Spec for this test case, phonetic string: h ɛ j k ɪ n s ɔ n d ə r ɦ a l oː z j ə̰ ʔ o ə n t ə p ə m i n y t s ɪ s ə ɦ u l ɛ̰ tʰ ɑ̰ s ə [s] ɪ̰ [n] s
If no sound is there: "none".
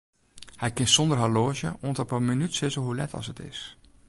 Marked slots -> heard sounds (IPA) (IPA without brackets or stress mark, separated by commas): t, none